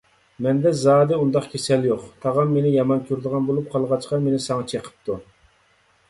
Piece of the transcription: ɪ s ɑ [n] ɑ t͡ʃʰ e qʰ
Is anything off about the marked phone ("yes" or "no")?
yes